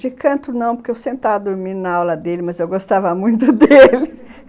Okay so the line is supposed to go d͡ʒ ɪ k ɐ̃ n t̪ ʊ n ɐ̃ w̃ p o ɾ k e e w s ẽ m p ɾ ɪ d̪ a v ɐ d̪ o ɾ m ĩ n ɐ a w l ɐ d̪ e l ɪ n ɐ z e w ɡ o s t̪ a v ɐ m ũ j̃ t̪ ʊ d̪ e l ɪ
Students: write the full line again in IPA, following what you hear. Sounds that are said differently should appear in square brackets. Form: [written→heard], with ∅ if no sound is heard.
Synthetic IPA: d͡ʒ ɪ k ɐ̃ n t̪ ʊ n ɐ̃ w̃ p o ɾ k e e w s ẽ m p ɾ ɪ [d̪→t̪] a v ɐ d̪ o ɾ m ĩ n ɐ a w l ɐ d̪ e l ɪ [n→m] ɐ z e w ɡ o s t̪ a v ɐ m ũ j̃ t̪ ʊ d̪ e l ɪ